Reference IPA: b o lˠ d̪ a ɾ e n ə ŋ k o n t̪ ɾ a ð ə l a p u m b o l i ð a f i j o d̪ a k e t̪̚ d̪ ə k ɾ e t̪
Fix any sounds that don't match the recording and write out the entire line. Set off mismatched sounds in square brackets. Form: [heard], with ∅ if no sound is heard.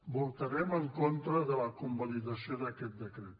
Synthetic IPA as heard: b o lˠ [t̪] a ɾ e [m] ə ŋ k o n t̪ ɾ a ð ə l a [k] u m b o l i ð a [s] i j o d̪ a k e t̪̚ d̪ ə k ɾ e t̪

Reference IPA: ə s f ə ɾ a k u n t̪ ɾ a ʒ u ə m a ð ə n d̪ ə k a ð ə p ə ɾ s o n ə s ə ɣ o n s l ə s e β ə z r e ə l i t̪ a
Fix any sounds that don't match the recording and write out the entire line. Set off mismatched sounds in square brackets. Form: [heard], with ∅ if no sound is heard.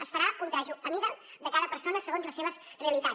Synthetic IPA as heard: ə s f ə ɾ a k u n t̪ ɾ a ʒ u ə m [i] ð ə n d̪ ə k a ð ə p ə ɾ s o n ə s ə ɣ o n [z] l ə s e β ə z r e ə l i t̪ a

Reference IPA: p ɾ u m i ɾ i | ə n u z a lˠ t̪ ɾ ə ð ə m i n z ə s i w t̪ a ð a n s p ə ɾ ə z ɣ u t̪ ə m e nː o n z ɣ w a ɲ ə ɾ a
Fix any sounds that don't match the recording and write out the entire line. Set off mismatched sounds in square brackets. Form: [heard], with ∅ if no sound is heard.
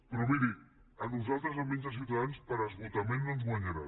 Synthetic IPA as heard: p ɾ [ɔ] m i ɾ i | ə n u z a lˠ t̪ ɾ ə [z] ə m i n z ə s i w t̪ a ð a n s p ə ɾ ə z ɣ u t̪ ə m e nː o n z ɣ w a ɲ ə ɾ a

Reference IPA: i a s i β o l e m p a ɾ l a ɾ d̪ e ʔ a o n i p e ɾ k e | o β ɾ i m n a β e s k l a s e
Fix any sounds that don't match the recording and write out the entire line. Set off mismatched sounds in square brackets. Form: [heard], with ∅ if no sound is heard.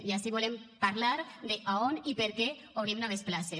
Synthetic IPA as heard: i a s i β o l e m p a ɾ l a ɾ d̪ e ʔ a o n i p e ɾ k e | o β ɾ i m n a β e s [p] l a s e

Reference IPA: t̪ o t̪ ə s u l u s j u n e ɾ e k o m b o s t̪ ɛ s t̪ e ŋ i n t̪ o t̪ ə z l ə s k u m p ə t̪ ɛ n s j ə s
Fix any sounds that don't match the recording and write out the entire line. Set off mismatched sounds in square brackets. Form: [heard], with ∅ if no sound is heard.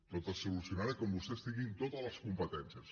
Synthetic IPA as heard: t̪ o t̪ ə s u l u s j u n [a] ɾ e k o m b [u] s t̪ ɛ s t̪ [i] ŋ i n t̪ o t̪ ə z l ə s k u m p ə t̪ ɛ n s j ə s

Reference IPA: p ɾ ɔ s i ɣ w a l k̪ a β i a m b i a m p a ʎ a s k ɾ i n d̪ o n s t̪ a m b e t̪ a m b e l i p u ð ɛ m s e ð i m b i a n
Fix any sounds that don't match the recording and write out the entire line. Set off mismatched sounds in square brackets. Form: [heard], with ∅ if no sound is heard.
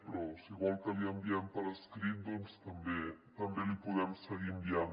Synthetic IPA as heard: p ɾ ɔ s i ɣ w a l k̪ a β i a m b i a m p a [ɾ] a s k ɾ i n d̪ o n s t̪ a m b e t̪ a m b e l i p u ð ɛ m s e [ɣ] i m b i a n

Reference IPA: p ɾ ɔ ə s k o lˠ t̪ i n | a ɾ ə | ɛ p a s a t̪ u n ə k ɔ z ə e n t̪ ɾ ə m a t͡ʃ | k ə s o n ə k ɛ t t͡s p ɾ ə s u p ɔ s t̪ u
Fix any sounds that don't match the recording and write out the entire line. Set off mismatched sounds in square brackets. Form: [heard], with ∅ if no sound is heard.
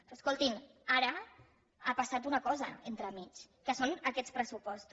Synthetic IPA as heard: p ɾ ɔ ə s k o lˠ t̪ i n | a ɾ ə | [a] p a s a t̪ u n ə k ɔ z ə e n t̪ ɾ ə m [i] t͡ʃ | k ə s o n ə k ɛ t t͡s p ɾ ə s u p ɔ s t̪ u

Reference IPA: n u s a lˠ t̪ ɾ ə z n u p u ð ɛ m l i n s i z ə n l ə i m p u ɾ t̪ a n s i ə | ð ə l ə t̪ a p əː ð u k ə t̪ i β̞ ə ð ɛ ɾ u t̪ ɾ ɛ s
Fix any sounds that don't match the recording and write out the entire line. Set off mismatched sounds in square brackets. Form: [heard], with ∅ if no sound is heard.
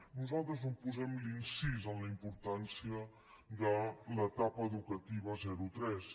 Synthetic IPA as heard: n u [z] a lˠ t̪ ɾ ə z n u p u [z] ɛ m l i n s i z ə n l ə i m p u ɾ t̪ a n s i ə | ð ə l ə t̪ a p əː ð u k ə t̪ i β̞ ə [z] ɛ ɾ u t̪ ɾ ɛ s

